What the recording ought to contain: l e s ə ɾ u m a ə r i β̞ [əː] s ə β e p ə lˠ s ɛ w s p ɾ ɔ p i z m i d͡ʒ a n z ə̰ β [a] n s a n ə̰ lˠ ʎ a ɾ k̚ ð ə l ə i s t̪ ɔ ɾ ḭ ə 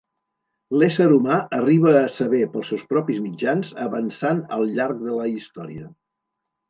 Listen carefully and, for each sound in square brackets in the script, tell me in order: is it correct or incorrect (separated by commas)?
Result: correct, incorrect